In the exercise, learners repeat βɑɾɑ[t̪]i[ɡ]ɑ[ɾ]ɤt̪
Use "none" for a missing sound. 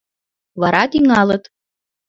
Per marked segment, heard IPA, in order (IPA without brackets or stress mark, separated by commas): t̪, ŋ, l